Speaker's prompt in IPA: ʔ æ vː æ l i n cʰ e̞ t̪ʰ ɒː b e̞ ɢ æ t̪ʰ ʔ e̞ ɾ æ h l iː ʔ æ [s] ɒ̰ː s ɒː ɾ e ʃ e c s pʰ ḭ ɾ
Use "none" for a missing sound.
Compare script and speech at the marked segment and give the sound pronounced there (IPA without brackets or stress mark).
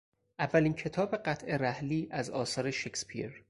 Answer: z